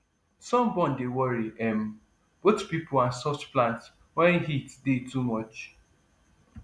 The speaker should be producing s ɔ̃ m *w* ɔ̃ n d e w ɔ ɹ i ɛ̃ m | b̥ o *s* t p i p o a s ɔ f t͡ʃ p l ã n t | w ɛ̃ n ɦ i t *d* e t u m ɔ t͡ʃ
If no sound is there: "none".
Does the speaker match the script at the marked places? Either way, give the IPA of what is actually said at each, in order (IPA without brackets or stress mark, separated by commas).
b, none, d